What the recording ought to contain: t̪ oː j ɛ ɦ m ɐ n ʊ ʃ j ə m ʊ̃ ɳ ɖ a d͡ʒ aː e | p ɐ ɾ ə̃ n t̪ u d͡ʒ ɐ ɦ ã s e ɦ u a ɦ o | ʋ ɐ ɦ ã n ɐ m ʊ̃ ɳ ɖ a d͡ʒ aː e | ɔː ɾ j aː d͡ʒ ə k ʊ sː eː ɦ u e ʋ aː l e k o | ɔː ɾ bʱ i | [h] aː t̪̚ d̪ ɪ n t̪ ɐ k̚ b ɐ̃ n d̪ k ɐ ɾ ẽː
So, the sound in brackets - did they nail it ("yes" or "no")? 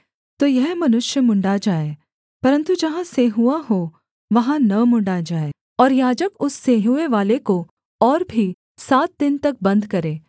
no